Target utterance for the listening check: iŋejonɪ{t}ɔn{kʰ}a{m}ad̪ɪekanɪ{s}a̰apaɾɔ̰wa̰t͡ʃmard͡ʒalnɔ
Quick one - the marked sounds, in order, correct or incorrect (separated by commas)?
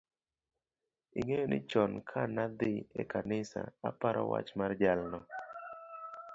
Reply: incorrect, correct, incorrect, correct